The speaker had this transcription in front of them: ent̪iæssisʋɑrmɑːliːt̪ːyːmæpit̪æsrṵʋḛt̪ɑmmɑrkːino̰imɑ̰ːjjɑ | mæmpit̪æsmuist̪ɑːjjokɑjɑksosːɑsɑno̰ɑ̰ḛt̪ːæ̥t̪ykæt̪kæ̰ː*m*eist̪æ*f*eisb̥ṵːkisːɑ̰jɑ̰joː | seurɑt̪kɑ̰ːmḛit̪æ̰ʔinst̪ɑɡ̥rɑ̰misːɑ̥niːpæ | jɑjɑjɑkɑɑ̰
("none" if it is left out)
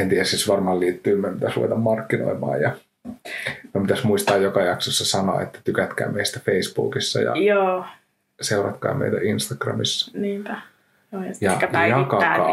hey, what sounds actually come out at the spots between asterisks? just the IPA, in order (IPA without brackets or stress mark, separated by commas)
m, f